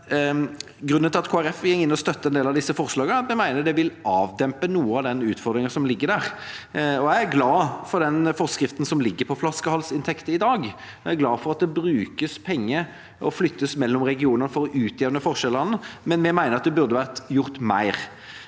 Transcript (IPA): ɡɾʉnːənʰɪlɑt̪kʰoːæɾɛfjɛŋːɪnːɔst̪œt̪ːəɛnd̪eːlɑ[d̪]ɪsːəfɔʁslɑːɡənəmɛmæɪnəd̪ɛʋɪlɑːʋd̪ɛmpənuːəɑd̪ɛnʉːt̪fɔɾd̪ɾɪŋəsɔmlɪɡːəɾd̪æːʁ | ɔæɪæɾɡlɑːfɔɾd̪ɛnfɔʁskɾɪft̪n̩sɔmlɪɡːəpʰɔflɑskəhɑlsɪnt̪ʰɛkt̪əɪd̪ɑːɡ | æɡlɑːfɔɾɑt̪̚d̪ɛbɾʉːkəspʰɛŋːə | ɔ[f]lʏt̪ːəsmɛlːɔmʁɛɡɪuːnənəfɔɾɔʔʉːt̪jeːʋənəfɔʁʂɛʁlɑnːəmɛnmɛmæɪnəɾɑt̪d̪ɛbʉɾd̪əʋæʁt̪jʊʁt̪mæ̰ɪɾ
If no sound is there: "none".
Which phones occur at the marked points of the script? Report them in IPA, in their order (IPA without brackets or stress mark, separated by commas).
d̪, f